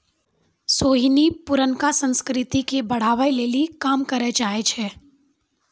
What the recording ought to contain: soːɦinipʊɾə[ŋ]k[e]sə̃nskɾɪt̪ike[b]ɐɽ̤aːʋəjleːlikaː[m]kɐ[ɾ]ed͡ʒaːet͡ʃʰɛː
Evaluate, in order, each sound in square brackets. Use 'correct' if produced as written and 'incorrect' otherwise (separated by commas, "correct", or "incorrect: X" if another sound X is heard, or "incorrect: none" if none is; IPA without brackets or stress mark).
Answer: incorrect: n, incorrect: a, correct, correct, correct